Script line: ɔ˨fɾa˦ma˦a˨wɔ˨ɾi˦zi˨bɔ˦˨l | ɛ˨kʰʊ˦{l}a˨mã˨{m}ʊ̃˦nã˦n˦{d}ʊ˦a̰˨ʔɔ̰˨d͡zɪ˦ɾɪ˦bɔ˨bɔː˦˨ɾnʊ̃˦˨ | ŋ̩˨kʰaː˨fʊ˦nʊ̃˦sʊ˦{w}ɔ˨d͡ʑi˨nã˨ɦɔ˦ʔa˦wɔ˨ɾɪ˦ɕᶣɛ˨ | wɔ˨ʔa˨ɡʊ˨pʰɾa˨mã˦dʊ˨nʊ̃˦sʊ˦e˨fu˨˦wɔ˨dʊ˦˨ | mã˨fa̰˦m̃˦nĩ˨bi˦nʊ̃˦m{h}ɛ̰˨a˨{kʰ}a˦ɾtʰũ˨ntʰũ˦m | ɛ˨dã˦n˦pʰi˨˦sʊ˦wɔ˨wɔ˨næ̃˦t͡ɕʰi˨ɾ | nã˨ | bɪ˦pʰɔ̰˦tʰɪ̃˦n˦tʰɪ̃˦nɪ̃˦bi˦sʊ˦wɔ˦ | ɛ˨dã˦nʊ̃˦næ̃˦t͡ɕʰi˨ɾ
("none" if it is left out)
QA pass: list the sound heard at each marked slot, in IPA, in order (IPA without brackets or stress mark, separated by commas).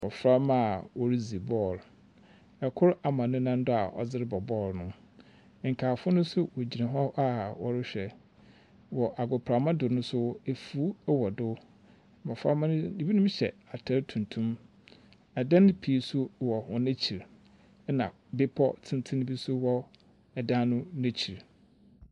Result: ɾ, n, d, w, ɕ, tʰ